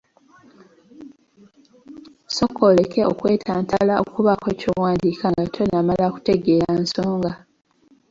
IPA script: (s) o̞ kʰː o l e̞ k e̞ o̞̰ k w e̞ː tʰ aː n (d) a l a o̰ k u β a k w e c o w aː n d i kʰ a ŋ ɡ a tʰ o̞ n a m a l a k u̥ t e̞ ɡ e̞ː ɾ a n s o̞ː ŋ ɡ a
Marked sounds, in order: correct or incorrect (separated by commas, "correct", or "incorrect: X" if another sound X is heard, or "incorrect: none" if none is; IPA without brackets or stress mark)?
correct, incorrect: t